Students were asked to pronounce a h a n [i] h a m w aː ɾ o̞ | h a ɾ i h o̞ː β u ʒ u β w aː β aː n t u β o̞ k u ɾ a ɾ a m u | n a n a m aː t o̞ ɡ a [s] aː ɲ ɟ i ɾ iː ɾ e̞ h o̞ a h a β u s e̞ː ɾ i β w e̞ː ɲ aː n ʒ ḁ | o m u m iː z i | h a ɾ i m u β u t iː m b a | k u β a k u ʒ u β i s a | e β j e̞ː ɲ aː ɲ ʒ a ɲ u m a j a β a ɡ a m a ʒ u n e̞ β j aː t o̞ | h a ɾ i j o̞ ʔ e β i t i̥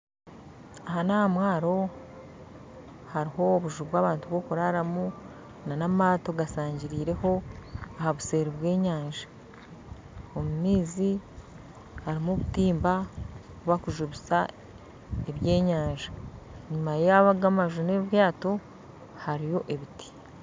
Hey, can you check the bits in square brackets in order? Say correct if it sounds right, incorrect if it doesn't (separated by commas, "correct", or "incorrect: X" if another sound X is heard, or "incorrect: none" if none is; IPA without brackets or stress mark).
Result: incorrect: a, correct